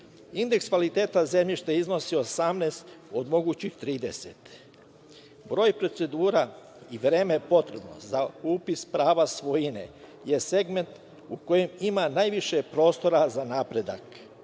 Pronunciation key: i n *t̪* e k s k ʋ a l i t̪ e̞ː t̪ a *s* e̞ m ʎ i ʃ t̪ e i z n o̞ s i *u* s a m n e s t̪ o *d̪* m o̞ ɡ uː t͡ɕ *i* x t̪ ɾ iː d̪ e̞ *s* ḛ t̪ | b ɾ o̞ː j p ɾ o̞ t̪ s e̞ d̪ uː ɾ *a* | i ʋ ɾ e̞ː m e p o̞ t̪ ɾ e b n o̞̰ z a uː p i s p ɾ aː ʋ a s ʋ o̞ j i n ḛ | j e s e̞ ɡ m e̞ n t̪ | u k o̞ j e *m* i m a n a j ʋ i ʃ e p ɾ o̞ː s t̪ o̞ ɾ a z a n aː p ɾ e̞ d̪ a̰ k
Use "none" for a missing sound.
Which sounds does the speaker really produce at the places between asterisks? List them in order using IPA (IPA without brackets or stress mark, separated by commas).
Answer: d̪, z, o, d̪, i, s, a, m